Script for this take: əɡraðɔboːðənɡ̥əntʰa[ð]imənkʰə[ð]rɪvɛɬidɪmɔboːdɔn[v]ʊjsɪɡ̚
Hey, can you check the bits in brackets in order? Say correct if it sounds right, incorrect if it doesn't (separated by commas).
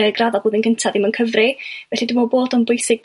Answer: correct, incorrect, incorrect